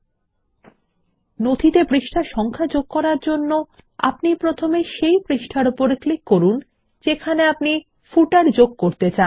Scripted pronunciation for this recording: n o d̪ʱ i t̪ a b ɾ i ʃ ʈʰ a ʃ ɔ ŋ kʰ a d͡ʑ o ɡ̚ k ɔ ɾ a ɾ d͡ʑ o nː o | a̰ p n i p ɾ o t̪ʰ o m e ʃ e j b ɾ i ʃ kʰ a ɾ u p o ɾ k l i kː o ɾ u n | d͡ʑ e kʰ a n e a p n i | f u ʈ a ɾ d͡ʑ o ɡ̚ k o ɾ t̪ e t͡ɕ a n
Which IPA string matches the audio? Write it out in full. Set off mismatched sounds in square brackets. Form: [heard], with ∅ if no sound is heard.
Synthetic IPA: n o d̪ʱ i t̪ [e] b ɾ i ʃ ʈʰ a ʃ ɔ ŋ kʰ a d͡ʑ o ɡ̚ k ɔ ɾ a ɾ d͡ʑ o nː o | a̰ p n i p ɾ o t̪ʰ o m e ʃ e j b ɾ i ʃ [ʈʰ] a ɾ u p o ɾ k l i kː o ɾ u n | d͡ʑ e kʰ a n e a p n i | f u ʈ a ɾ d͡ʑ o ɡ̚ k o ɾ t̪ e t͡ɕ a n